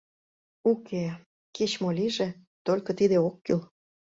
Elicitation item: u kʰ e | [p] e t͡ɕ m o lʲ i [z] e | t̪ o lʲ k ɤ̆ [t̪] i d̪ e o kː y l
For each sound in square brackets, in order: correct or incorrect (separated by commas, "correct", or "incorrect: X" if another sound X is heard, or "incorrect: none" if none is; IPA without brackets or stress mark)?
incorrect: k, incorrect: ʒ, correct